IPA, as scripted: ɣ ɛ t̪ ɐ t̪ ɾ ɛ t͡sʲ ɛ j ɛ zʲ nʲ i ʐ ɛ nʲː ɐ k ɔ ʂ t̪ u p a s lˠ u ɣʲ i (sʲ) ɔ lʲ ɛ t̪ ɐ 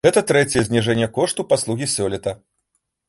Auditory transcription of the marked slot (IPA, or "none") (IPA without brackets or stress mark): sʲ